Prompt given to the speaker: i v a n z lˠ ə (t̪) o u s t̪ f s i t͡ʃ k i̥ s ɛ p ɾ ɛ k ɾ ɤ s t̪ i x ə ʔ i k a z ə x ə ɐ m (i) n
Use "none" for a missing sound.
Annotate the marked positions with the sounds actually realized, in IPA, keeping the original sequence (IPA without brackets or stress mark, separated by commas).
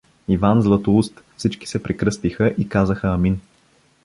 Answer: t̪, i